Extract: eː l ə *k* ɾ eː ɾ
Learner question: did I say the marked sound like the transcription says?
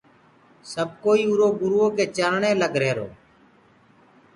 no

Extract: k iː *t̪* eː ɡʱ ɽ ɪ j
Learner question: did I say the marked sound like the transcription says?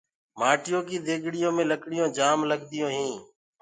no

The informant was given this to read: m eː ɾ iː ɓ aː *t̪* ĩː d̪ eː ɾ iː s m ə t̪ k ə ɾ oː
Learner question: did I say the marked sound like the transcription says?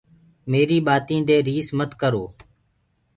yes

